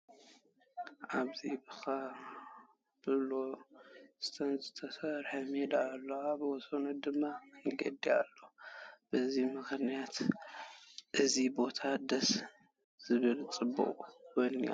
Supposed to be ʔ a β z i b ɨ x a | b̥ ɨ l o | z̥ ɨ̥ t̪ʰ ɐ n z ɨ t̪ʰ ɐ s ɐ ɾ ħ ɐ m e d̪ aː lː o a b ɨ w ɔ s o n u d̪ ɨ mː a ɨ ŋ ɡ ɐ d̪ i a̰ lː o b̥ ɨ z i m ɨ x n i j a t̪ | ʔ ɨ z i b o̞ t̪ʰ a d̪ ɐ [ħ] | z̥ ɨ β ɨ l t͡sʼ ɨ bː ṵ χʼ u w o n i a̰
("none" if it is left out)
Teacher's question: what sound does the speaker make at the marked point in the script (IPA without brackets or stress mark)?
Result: s